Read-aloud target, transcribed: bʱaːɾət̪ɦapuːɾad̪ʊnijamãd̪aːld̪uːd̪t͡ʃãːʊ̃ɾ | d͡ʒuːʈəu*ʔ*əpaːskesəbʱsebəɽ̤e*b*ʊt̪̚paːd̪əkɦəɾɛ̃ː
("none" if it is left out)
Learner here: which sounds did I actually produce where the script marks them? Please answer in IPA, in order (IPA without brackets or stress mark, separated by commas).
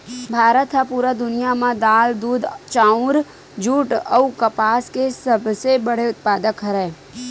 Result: k, none